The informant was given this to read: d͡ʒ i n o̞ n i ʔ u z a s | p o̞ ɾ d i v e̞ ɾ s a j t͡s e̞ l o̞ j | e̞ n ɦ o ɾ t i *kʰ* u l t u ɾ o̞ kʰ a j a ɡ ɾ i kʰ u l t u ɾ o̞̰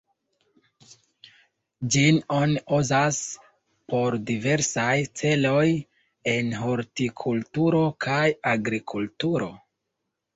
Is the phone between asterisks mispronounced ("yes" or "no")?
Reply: no